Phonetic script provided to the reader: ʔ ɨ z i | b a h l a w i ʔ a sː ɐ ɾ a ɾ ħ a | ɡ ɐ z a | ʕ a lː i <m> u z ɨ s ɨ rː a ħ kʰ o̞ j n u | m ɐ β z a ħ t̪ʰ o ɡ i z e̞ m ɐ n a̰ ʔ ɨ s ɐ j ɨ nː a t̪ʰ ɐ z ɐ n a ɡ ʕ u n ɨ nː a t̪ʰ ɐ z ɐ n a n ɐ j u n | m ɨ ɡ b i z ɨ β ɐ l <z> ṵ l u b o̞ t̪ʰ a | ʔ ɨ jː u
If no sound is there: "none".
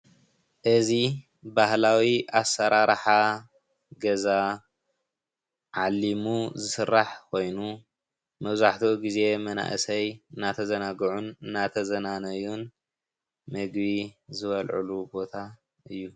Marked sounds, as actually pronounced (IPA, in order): m, ʕ

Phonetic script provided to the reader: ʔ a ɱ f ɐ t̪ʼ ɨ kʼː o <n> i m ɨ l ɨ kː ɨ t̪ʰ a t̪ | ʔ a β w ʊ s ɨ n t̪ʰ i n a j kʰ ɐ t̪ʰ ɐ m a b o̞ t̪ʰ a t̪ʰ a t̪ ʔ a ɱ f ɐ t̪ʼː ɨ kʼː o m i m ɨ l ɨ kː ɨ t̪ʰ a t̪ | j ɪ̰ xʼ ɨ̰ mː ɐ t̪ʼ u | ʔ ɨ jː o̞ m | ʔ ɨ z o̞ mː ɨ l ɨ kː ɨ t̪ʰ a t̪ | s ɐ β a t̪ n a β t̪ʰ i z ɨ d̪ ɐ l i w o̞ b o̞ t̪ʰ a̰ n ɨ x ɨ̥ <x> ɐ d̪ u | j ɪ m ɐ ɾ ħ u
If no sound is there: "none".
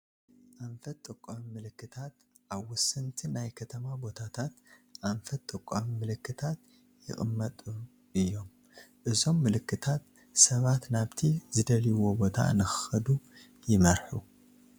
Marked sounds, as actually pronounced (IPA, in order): m, x

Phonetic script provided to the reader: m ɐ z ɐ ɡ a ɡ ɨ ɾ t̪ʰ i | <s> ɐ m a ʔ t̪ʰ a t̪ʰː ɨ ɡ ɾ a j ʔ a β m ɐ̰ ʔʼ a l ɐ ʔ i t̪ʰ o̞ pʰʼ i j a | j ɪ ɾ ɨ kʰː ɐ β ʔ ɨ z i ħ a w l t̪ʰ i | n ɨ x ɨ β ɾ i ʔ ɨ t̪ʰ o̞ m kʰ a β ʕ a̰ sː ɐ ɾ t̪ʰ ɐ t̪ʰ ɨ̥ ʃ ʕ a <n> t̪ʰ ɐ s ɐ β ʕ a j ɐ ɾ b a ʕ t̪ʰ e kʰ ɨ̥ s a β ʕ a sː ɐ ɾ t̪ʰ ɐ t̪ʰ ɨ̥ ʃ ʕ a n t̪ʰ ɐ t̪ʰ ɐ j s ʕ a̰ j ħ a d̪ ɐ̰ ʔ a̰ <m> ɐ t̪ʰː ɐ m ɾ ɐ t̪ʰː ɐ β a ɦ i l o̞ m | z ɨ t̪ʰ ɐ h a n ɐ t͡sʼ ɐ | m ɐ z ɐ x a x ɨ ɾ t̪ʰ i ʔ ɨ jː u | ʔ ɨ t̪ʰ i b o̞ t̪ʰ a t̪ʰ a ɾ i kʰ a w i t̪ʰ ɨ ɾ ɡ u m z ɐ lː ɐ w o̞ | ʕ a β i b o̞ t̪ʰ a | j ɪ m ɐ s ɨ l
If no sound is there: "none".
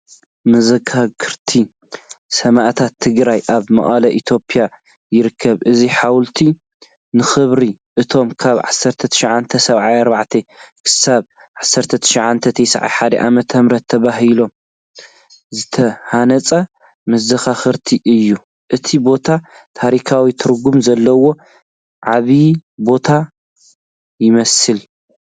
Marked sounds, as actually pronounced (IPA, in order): s, n, m

